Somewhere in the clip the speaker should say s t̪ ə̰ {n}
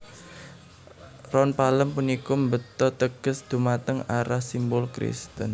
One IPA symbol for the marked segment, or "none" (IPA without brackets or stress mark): n